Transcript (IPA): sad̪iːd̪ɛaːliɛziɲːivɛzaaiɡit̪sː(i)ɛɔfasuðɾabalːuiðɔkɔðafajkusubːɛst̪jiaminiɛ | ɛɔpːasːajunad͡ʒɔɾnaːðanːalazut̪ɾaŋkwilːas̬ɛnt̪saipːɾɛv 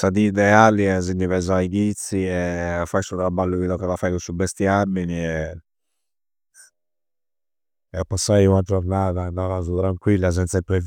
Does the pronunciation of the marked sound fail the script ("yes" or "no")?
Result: no